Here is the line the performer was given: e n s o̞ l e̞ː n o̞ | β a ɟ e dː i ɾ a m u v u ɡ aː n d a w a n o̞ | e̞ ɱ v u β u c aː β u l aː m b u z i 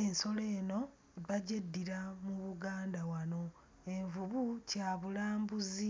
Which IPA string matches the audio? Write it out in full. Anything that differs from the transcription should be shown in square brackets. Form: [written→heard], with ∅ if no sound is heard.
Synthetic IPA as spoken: e n s o̞ l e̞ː n o̞ | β a ɟ e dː i ɾ a m u [v→β] u ɡ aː n d a w a n o̞ | e̞ ɱ v u β u c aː β u l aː m b u z i